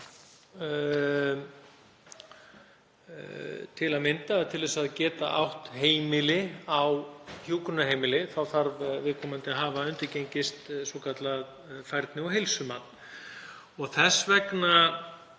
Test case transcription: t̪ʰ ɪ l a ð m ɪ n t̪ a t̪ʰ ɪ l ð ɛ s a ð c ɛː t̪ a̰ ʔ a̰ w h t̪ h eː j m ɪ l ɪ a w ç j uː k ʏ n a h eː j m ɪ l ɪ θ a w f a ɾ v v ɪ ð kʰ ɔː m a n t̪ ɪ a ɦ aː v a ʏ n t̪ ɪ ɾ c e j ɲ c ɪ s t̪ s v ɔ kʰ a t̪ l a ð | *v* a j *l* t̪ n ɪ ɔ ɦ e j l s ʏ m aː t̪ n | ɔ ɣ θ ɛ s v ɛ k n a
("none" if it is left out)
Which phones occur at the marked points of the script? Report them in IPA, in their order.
f, ɾ

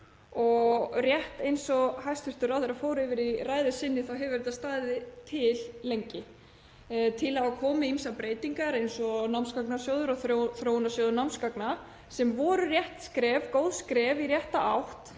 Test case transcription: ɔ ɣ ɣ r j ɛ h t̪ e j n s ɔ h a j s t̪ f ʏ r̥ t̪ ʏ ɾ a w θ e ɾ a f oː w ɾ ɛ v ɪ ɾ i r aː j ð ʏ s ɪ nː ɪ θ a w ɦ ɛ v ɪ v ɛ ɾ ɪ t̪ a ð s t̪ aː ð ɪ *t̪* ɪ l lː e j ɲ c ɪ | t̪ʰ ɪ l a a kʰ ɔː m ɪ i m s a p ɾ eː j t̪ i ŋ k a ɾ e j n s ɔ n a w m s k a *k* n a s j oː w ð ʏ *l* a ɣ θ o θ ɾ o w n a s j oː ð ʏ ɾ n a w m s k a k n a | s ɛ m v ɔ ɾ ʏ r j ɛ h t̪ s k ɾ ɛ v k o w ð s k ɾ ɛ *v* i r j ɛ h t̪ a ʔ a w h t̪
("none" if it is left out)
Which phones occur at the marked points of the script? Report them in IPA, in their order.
t̪ʰ, k, ɾ, v

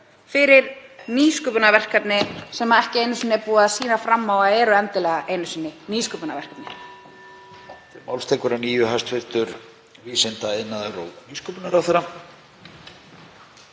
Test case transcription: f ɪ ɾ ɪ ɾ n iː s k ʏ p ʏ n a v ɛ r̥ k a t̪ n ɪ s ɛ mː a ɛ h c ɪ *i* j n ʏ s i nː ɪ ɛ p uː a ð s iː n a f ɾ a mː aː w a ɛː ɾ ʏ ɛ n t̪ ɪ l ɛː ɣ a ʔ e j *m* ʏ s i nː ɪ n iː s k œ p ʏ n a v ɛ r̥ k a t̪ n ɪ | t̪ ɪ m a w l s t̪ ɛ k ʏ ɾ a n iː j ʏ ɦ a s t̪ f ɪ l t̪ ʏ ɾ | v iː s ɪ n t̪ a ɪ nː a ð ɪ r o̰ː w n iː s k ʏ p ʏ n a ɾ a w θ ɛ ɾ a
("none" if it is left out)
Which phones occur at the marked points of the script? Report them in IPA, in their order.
e, n

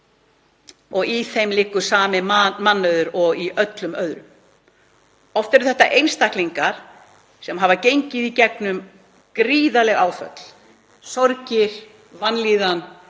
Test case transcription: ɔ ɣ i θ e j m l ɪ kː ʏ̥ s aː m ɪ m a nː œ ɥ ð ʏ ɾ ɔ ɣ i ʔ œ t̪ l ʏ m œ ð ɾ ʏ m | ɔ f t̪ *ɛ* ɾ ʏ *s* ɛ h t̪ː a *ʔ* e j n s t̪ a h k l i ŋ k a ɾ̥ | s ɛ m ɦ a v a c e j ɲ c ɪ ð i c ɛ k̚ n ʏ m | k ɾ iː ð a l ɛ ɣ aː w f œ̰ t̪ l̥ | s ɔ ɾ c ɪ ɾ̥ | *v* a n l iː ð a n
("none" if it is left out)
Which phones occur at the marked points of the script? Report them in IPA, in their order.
ɛ, θ, ʔ, v

